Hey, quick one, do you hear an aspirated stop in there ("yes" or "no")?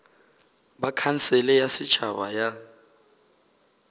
yes